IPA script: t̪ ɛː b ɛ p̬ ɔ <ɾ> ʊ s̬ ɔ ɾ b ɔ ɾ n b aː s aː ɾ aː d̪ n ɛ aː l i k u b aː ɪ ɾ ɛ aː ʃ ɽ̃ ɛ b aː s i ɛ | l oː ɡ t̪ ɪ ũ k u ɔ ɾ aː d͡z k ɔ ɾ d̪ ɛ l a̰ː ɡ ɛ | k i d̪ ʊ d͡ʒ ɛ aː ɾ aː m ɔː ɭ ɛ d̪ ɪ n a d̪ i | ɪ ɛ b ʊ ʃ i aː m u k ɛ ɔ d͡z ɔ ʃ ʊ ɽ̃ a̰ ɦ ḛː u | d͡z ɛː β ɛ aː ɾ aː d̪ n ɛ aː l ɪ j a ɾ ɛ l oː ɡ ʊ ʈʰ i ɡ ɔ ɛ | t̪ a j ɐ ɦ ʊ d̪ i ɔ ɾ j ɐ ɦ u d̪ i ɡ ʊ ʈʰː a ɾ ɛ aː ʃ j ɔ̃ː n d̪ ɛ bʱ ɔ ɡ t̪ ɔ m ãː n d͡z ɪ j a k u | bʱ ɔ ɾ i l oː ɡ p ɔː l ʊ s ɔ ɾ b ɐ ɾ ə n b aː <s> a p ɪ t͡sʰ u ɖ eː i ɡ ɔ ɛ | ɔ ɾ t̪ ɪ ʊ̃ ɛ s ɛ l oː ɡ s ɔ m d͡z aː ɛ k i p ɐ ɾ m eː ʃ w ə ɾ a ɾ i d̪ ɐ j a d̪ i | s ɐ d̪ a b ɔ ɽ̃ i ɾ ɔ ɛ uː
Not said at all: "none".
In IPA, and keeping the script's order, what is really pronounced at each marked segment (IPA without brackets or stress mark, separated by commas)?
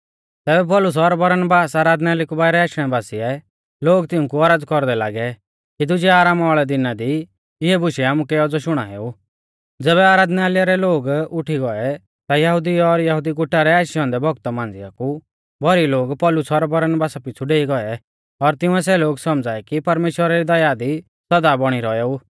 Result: l, s